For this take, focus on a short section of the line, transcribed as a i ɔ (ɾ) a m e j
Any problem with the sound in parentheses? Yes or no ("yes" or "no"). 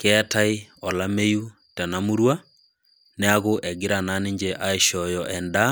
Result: yes